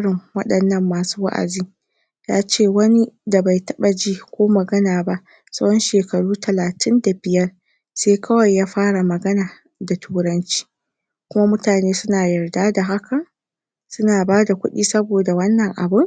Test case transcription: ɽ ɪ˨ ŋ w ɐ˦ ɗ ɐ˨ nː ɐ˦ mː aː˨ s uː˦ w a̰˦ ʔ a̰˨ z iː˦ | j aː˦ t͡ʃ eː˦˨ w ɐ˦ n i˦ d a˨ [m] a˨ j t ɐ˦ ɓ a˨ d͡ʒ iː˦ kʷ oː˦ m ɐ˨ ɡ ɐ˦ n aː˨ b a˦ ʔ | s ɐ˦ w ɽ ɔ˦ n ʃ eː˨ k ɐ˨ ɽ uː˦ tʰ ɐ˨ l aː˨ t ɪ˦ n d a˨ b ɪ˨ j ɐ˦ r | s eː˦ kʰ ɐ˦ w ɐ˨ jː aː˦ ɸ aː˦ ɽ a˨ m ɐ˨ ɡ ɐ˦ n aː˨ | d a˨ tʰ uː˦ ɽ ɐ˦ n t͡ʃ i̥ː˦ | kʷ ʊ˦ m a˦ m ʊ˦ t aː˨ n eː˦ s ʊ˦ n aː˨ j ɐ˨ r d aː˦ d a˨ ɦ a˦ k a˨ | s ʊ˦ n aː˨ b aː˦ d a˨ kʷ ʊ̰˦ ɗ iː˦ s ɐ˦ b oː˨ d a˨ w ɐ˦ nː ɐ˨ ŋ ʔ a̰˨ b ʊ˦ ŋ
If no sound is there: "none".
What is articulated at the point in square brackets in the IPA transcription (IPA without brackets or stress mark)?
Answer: b